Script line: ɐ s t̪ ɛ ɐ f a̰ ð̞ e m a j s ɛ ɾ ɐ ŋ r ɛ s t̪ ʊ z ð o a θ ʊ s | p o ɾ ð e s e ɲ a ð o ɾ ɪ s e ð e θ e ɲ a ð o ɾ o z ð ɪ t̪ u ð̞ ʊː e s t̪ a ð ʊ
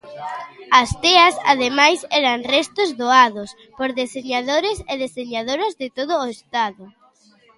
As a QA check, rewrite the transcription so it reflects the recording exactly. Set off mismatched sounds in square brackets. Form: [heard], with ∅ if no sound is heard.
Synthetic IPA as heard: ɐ s t̪ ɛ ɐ [s] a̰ ð̞ e m a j s ɛ ɾ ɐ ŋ r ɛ s t̪ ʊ z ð o a [ð] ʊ s | p o ɾ ð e s e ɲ a ð o ɾ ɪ s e ð e [s] e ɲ a ð o ɾ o z ð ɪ t̪ [o] ð̞ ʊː e s t̪ a ð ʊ